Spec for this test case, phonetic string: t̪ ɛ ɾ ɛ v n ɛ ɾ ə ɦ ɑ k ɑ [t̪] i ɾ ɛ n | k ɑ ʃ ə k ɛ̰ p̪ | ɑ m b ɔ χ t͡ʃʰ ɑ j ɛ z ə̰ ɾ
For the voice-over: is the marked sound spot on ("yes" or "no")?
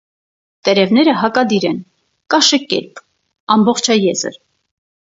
no